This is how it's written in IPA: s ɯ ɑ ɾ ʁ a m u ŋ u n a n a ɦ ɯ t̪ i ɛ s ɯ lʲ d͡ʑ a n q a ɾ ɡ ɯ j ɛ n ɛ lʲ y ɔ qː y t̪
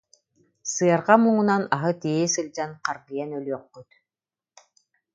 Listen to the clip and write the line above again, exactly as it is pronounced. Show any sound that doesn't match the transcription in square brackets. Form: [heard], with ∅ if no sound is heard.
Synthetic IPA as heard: s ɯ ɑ ɾ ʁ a m u ŋ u n a n a ɦ ɯ t̪ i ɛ s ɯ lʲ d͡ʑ a n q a ɾ ɡ ɯ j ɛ n [œ] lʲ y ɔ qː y t̪